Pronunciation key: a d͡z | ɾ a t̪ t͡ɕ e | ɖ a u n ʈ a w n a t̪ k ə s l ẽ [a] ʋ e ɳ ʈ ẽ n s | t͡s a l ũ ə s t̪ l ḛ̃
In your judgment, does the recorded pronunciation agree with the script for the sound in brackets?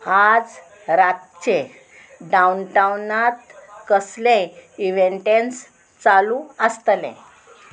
no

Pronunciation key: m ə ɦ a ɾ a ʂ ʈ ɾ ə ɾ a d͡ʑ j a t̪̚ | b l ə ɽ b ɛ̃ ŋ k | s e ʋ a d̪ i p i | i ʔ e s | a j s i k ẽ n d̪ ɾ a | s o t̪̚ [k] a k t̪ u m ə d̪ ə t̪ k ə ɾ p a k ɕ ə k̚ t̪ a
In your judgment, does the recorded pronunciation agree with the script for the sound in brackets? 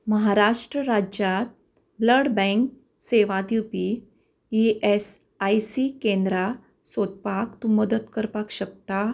no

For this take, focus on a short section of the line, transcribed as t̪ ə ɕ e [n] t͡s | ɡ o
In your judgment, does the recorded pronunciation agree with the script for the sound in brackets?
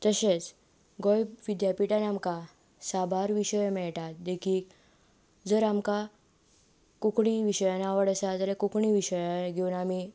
no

